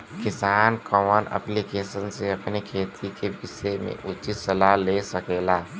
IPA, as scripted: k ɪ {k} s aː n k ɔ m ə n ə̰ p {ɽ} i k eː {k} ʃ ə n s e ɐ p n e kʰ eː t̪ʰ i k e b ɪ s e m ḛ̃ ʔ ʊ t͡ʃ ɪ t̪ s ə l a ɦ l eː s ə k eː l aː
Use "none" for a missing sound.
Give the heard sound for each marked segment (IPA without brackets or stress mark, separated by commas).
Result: none, l, none